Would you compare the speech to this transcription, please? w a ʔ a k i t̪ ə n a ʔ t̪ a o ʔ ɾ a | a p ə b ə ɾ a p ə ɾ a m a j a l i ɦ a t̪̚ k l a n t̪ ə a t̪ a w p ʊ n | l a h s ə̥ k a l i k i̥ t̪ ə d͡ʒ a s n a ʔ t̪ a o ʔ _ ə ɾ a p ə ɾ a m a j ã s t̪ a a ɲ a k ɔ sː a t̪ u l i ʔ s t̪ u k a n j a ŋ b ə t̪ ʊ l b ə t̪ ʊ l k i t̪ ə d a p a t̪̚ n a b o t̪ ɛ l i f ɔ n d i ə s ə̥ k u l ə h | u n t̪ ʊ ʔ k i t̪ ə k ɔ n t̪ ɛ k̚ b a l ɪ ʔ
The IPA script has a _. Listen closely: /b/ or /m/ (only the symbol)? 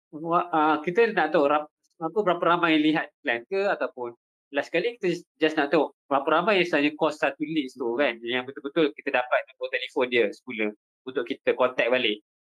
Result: b